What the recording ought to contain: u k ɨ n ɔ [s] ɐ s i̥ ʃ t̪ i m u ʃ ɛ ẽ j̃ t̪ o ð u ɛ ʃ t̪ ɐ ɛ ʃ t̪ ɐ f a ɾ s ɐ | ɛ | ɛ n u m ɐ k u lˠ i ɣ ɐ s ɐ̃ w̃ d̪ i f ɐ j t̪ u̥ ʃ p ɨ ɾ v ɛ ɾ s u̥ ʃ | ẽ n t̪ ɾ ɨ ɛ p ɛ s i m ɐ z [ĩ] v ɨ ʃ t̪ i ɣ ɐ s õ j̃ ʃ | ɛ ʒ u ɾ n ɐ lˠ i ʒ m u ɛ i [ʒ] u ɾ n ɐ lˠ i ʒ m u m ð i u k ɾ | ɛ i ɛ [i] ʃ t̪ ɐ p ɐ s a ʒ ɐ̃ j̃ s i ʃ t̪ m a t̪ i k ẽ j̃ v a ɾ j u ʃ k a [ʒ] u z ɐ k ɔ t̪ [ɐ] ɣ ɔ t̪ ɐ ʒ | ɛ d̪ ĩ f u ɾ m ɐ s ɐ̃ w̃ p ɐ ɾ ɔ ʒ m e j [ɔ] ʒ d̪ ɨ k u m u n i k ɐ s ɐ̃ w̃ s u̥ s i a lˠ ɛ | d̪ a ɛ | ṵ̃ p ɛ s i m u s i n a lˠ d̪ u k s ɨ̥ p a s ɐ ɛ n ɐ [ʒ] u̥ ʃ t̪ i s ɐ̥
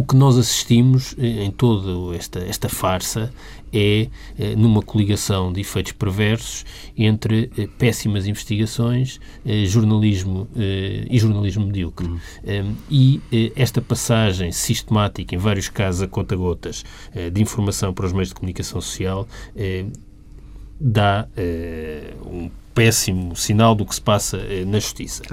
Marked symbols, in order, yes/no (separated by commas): no, yes, yes, no, no, yes, no, yes